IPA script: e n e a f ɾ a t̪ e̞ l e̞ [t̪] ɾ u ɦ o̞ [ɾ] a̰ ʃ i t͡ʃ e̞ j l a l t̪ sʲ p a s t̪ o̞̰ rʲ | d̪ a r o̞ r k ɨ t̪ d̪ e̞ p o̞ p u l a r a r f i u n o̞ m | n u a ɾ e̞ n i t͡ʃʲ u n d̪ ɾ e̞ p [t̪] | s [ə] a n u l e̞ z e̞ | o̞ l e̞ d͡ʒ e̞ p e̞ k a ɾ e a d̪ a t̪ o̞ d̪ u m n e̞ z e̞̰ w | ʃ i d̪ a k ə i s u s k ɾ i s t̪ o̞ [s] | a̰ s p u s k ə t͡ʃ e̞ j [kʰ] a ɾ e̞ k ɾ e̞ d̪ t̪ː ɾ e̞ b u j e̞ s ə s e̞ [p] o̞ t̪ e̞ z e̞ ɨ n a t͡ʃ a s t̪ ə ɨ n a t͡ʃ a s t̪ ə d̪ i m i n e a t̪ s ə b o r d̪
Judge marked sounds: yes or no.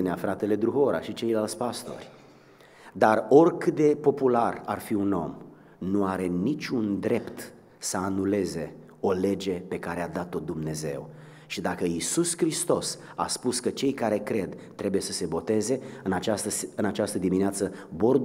no, yes, yes, yes, yes, no, no

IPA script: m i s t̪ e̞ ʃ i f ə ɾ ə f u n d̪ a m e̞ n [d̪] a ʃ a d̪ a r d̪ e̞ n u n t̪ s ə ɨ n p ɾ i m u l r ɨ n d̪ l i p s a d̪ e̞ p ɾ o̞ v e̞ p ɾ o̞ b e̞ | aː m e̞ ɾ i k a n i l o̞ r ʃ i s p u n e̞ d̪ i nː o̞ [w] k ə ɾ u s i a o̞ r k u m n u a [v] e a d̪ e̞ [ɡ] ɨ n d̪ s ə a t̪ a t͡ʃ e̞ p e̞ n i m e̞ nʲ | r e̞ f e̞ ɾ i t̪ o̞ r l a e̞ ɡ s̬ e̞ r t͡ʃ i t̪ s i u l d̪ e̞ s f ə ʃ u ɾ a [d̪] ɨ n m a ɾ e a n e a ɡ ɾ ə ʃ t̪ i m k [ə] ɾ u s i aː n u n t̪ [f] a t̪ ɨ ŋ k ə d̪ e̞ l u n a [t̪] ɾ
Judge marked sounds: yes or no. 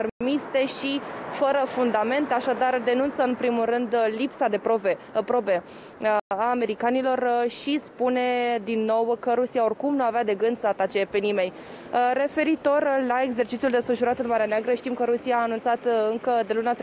no, yes, yes, yes, no, yes, no, yes

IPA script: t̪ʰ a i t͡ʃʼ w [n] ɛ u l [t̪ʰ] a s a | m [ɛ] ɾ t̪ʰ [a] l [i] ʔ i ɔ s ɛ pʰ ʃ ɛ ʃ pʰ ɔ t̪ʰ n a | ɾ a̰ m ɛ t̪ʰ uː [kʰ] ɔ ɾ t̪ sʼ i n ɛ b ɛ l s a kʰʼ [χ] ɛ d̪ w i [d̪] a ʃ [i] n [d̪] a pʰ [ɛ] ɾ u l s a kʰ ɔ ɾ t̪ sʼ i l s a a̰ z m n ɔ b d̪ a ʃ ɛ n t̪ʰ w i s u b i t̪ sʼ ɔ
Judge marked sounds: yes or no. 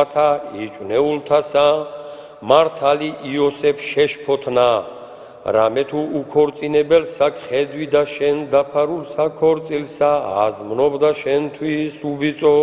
yes, yes, no, yes, yes, yes, yes, yes, no, yes, no

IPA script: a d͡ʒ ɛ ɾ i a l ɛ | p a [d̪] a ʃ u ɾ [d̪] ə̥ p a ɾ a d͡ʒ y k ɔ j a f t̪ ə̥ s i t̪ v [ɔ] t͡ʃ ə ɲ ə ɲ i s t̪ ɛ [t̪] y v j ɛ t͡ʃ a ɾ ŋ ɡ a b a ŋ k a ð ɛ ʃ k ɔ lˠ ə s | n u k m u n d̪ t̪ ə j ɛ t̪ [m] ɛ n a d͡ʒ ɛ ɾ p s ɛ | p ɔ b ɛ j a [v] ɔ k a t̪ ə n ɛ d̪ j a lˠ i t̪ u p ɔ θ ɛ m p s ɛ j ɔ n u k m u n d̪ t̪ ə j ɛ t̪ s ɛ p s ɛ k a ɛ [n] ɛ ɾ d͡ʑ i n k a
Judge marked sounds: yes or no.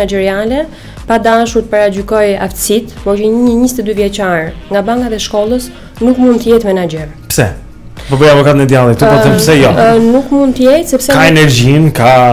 yes, no, yes, no, yes, yes, yes

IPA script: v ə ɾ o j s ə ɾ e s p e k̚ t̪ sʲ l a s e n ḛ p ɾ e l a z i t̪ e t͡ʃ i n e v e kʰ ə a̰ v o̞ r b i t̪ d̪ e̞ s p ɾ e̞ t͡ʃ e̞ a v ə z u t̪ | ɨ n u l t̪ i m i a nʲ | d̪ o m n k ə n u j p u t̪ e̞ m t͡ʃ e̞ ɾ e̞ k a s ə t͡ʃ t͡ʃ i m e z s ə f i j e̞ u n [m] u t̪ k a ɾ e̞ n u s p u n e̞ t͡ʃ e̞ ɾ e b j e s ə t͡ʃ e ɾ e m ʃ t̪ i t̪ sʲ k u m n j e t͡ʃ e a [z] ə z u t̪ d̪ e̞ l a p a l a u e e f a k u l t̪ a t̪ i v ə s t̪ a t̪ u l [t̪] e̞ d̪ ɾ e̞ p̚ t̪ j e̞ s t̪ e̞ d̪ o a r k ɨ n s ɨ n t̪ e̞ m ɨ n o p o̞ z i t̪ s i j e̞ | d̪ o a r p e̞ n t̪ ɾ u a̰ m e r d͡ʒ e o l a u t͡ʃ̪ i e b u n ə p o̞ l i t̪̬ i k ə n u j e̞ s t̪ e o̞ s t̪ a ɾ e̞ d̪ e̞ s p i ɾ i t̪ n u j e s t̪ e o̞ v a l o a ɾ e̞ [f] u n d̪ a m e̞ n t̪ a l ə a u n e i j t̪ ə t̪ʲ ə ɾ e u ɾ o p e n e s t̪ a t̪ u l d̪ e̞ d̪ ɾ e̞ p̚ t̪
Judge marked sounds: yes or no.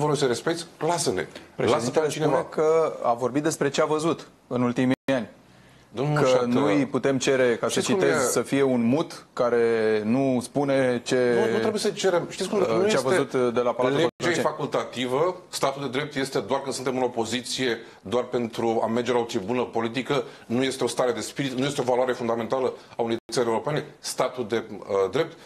yes, no, no, yes

